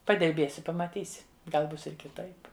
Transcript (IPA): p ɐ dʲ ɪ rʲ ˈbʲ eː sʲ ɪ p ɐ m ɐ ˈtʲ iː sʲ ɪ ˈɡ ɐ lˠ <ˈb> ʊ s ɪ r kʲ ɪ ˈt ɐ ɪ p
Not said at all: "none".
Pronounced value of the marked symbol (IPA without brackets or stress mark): b